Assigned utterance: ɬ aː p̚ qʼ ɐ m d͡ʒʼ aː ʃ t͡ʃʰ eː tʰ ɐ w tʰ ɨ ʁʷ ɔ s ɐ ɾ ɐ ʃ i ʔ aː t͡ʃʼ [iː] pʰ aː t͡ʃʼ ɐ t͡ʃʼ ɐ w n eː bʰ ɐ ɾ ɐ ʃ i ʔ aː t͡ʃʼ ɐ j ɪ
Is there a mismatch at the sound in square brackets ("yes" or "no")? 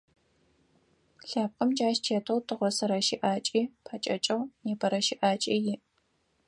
no